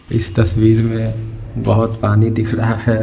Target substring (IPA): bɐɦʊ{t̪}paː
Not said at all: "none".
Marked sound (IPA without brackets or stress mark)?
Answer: t̪